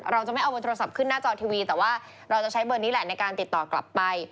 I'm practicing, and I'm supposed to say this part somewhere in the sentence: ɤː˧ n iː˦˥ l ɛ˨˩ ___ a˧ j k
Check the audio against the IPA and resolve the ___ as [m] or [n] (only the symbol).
n